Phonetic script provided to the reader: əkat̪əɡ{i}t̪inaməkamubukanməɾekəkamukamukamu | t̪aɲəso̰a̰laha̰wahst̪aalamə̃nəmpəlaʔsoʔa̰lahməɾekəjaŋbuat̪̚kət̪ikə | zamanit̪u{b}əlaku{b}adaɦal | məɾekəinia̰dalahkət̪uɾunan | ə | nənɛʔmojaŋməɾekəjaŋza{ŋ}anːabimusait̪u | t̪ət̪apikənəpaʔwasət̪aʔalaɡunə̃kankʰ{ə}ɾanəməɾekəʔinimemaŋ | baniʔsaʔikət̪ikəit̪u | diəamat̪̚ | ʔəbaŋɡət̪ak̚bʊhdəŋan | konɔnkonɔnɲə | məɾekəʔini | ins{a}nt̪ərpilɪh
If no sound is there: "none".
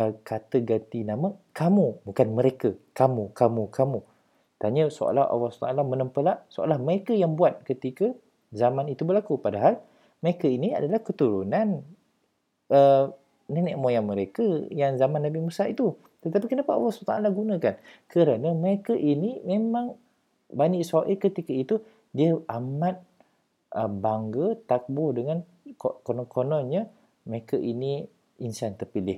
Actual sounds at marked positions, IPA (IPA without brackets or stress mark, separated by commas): a, b, p, m, ə, a